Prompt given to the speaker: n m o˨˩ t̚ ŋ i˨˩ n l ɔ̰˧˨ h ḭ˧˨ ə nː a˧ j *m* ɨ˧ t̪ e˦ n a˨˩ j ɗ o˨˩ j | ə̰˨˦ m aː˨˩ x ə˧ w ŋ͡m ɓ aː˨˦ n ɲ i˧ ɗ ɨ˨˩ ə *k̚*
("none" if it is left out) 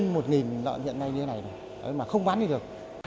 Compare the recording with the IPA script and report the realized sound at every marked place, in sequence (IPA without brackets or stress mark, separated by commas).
ɲ, k̚